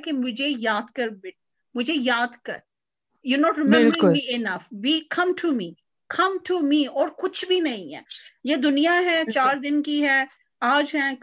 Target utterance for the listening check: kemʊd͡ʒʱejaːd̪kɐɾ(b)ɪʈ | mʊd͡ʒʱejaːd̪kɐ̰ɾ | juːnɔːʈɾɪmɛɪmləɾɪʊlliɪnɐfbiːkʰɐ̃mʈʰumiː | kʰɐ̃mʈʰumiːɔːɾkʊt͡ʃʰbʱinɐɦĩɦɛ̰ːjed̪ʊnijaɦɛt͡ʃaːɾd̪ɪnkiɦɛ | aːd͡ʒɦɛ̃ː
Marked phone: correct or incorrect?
correct